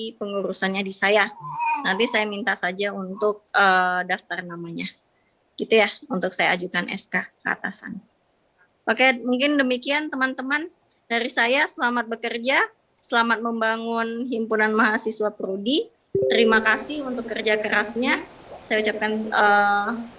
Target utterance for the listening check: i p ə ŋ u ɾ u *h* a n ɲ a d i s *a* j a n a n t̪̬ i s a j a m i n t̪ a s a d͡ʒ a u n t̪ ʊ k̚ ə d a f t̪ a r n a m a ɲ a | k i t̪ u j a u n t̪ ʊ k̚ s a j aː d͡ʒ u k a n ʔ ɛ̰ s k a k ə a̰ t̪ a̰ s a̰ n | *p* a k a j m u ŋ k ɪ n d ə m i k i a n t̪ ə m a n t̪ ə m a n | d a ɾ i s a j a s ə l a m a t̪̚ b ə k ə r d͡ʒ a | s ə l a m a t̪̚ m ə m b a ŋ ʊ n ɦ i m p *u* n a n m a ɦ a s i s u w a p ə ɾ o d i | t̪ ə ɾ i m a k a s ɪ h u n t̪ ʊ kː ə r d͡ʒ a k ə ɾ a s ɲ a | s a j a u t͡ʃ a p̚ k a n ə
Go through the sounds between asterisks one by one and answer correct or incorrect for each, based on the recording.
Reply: incorrect: s, correct, correct, correct

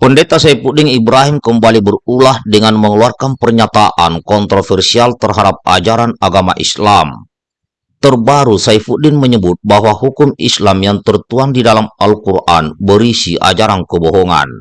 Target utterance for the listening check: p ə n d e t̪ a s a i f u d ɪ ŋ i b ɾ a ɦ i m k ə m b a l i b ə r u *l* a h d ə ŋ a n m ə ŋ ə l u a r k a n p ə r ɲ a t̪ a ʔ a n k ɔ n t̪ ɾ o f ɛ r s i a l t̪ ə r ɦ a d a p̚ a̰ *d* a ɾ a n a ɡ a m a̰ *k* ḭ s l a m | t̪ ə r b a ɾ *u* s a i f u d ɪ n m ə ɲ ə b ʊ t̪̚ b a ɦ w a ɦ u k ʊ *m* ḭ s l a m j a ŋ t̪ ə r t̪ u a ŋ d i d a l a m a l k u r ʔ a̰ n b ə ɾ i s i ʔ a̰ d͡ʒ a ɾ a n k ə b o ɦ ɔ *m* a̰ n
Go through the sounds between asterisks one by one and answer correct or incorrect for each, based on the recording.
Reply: correct, incorrect: d͡ʒ, incorrect: ʔ, correct, correct, incorrect: ŋ

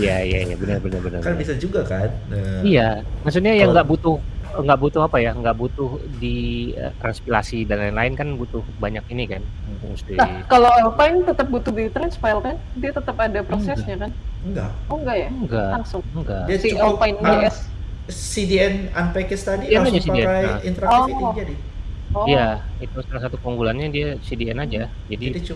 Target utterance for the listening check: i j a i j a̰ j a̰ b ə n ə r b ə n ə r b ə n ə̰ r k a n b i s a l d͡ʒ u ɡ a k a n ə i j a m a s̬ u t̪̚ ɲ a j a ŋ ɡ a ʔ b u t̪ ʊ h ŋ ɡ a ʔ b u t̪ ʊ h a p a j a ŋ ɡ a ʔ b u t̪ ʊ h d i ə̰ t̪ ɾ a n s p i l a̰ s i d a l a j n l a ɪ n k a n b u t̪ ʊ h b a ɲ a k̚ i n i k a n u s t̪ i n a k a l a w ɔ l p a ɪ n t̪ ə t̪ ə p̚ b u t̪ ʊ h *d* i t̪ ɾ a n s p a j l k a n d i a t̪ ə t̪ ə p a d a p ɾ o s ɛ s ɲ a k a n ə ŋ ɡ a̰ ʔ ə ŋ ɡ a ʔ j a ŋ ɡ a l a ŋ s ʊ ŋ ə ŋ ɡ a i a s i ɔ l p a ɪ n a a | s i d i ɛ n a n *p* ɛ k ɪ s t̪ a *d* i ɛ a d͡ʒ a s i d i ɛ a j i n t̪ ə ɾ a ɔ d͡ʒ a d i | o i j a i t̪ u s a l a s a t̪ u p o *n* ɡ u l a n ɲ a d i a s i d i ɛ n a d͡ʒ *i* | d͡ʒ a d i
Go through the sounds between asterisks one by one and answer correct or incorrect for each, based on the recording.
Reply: correct, correct, correct, incorrect: ŋ, incorrect: a

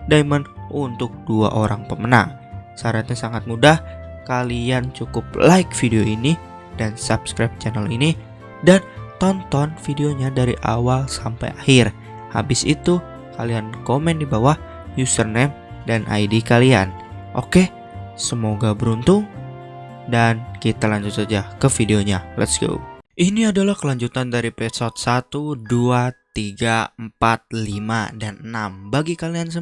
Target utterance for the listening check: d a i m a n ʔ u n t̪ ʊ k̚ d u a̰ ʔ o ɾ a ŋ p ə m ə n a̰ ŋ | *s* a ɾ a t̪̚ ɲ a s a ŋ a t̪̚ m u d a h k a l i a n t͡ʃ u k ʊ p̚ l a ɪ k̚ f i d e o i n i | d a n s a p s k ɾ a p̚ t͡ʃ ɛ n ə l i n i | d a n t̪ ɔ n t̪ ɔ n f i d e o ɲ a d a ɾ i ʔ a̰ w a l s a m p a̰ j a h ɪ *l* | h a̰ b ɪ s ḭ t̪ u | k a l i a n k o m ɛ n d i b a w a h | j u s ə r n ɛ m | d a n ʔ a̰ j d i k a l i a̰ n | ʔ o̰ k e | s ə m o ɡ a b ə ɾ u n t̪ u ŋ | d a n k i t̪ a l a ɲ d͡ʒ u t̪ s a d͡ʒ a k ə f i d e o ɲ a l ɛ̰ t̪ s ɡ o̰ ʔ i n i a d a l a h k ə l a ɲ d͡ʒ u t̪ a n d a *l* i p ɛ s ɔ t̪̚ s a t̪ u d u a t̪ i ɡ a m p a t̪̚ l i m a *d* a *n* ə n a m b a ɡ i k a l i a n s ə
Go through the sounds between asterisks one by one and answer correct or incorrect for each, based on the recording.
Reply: correct, incorrect: r, incorrect: ɾ, correct, correct

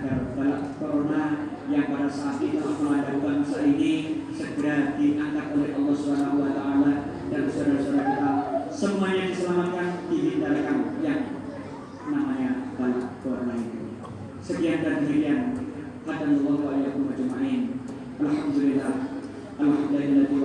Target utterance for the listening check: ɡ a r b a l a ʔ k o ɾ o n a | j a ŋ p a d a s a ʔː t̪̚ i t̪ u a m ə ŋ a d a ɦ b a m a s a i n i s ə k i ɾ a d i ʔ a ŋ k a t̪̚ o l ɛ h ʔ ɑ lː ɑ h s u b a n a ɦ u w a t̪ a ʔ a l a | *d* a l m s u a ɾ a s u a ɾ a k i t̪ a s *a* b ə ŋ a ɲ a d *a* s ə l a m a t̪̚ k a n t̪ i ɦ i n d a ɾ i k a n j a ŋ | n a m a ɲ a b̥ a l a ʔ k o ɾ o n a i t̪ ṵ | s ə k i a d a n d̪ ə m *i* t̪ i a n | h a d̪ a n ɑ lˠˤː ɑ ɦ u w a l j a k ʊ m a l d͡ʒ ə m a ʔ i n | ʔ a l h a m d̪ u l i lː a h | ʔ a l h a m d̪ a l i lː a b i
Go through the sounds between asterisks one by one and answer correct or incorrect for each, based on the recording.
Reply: correct, incorrect: ə, incorrect: i, correct

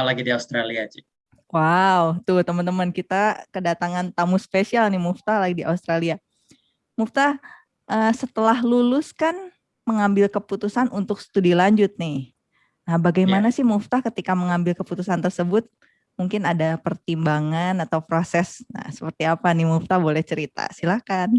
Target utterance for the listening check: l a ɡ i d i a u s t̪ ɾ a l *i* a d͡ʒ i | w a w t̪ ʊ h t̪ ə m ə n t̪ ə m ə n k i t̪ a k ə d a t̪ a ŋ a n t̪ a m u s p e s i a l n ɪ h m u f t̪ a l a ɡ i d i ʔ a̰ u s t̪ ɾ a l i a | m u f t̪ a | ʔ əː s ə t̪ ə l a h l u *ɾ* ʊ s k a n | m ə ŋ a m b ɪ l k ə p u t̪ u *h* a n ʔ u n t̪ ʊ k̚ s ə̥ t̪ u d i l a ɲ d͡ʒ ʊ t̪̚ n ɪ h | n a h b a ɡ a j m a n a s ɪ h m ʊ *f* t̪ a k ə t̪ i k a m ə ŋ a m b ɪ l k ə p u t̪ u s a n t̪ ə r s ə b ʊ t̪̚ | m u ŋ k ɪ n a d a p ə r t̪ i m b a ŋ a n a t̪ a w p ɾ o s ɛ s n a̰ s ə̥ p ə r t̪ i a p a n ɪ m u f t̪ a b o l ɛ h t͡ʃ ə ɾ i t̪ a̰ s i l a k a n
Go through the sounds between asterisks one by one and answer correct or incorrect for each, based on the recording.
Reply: correct, incorrect: l, incorrect: s, correct

